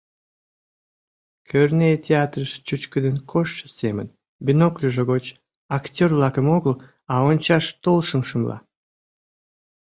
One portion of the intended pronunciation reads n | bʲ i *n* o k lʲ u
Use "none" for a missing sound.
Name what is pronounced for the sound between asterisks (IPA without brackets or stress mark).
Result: n